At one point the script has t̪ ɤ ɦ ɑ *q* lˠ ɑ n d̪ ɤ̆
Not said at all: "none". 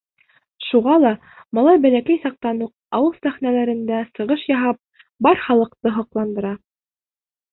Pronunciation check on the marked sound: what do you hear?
q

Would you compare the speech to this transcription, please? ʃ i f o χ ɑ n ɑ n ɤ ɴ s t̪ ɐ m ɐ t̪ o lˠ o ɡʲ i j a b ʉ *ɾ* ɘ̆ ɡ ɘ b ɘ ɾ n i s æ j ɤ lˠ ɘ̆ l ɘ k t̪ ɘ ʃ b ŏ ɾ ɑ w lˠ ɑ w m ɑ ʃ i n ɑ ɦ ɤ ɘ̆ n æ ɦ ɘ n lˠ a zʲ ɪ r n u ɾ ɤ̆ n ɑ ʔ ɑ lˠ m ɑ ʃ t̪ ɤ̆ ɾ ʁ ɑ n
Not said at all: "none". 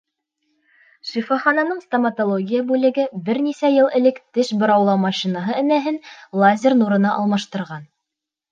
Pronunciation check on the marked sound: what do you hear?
l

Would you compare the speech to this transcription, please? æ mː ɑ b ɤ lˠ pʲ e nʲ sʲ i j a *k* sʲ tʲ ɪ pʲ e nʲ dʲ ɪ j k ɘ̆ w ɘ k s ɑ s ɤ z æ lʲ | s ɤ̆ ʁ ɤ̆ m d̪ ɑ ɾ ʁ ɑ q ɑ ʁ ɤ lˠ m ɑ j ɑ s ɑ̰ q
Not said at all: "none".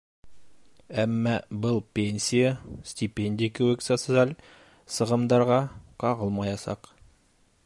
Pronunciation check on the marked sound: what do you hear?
none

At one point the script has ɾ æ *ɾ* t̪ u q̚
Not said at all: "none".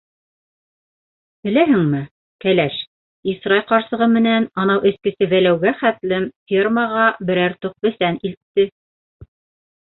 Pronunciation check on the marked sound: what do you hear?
ɾ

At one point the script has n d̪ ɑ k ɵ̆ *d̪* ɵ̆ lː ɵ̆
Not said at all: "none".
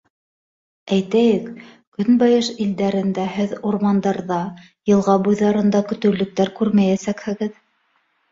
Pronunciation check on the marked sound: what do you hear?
t̪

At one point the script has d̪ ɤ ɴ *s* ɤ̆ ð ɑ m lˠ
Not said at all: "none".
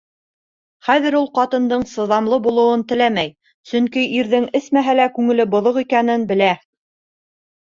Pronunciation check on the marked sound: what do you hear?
s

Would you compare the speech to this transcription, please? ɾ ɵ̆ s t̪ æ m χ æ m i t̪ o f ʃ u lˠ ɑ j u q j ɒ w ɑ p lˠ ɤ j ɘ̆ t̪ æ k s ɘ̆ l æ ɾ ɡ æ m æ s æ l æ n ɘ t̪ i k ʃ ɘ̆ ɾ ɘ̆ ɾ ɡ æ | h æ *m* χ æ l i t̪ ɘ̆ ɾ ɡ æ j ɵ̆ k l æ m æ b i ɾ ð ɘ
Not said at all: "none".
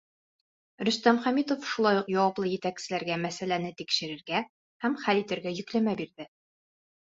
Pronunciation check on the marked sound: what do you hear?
m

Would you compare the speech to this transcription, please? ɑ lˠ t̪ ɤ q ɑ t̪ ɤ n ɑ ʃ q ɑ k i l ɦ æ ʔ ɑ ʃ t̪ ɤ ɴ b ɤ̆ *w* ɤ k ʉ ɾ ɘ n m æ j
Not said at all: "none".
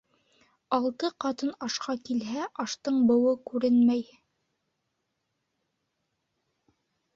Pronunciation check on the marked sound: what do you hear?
w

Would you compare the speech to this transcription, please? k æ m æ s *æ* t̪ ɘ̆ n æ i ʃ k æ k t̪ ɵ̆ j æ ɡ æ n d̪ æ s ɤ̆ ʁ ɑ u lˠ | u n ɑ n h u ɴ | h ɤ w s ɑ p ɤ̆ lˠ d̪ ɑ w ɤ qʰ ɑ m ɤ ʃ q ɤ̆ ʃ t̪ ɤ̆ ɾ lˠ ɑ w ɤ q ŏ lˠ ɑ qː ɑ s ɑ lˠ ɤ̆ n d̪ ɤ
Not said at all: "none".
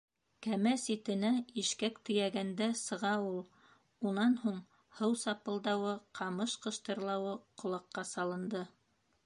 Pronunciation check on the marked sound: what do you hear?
i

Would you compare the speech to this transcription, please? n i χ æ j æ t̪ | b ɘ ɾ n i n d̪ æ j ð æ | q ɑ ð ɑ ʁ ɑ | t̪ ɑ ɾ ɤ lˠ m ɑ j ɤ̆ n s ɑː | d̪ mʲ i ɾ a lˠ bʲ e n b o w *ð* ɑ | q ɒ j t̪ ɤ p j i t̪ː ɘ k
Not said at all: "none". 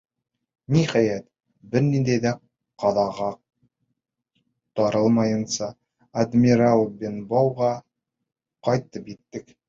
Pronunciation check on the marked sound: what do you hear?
ʁ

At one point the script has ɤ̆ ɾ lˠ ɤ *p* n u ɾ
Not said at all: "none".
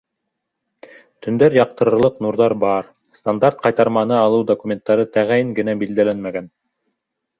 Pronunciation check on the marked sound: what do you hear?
q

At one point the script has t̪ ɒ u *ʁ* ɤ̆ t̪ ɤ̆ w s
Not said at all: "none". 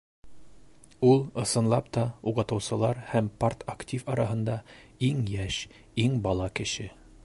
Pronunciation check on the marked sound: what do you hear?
ʁ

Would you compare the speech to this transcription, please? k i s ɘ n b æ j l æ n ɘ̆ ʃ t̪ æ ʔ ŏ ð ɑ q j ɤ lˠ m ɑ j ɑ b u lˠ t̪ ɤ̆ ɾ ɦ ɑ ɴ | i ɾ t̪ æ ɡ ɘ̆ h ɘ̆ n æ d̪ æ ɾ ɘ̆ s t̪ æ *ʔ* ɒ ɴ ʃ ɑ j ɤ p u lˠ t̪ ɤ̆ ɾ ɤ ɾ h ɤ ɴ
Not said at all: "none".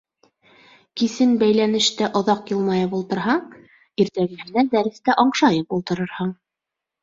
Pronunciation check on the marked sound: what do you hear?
ʔ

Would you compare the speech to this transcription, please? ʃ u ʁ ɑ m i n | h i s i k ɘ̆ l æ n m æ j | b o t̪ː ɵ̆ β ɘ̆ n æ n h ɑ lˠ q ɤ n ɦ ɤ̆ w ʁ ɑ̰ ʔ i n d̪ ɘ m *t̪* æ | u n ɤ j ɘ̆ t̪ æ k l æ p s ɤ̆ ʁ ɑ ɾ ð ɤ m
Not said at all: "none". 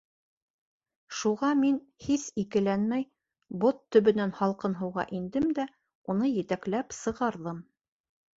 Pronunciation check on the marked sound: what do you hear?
d̪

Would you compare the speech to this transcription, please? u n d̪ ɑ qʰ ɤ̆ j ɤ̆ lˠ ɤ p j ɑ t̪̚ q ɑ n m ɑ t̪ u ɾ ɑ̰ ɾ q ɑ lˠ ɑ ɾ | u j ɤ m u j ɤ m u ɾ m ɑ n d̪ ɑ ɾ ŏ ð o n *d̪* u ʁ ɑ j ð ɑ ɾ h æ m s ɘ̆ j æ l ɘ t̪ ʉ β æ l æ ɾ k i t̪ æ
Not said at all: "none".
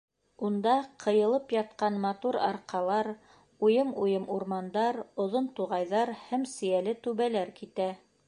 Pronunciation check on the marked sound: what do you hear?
t̪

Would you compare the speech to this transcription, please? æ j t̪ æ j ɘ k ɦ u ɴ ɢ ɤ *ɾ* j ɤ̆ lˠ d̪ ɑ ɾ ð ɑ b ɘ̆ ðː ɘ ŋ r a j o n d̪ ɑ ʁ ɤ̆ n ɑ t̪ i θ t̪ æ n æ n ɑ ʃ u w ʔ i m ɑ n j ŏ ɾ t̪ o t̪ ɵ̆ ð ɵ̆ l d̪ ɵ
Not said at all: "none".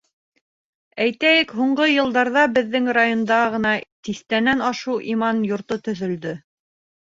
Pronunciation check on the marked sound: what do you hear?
none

